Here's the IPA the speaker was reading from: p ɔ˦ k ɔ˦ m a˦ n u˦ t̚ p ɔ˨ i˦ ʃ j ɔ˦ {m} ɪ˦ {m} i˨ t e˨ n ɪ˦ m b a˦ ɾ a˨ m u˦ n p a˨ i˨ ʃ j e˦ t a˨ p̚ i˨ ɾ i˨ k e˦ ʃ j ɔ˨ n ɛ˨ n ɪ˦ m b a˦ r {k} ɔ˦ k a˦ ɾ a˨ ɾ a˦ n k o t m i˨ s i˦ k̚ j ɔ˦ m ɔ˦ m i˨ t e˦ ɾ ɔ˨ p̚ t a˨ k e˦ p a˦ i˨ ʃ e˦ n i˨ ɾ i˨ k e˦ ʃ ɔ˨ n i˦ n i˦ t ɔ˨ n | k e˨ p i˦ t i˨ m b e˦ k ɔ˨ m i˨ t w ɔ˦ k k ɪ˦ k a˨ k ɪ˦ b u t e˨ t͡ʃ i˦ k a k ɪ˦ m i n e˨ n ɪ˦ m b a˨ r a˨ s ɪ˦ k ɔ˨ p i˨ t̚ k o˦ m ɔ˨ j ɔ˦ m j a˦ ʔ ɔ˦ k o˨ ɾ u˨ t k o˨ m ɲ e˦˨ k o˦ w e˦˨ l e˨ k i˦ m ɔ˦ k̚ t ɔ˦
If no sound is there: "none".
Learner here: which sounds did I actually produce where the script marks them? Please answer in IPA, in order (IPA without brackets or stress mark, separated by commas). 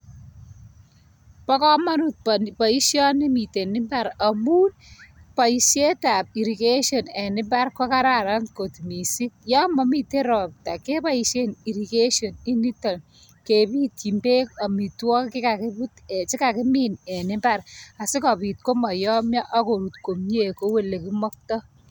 n, m, k